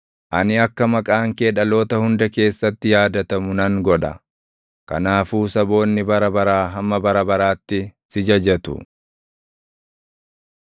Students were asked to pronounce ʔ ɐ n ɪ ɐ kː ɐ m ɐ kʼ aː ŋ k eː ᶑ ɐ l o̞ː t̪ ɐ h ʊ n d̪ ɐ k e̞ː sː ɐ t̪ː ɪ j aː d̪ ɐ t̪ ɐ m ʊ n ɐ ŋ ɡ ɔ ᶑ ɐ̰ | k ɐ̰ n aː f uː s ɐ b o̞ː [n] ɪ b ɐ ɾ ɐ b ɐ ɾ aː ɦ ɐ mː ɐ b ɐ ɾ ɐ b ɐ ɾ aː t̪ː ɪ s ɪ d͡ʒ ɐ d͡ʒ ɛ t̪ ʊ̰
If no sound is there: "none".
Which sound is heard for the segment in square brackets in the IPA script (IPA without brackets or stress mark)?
nː